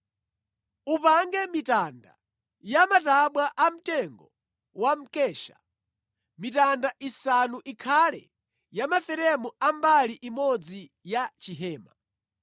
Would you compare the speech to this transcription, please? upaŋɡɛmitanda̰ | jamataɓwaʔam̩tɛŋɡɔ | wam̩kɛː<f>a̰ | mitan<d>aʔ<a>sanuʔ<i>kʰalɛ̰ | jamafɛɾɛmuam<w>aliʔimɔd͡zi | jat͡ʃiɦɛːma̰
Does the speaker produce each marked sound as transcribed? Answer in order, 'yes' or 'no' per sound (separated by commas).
no, yes, no, yes, no